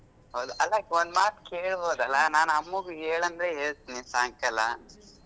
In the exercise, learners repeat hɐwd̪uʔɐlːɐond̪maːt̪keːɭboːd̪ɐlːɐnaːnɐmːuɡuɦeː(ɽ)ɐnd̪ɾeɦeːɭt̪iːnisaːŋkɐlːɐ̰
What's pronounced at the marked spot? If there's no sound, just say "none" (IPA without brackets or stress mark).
ɭ